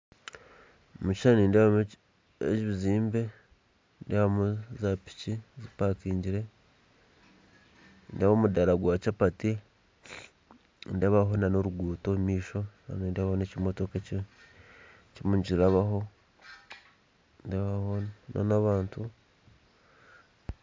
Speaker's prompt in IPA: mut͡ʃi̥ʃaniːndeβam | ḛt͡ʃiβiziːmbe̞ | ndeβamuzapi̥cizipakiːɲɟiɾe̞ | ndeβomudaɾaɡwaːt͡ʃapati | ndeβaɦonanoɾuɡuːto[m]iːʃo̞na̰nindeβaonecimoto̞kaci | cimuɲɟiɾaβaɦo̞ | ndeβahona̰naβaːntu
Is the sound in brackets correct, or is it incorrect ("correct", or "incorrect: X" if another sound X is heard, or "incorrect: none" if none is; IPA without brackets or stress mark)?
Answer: correct